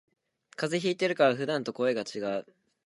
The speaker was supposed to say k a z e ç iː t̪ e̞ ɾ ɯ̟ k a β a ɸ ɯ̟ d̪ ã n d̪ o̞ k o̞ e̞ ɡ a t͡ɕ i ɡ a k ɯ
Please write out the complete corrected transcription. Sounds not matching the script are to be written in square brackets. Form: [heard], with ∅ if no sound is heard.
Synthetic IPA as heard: k a z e ç iː t̪ e̞ ɾ ɯ̟ k a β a ɸ ɯ̟ d̪ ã n [t̪] o̞ k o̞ e̞ ɡ a t͡ɕ i ɡ a [∅] ɯ